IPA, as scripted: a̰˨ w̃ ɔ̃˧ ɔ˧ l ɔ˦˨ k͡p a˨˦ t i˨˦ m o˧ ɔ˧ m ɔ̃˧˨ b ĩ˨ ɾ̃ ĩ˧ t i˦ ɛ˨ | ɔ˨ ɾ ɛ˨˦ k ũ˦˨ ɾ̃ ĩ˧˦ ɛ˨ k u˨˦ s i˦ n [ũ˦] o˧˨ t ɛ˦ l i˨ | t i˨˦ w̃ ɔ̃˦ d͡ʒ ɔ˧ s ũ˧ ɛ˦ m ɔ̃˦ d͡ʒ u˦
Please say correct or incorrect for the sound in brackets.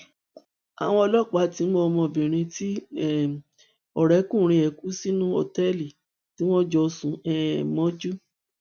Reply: correct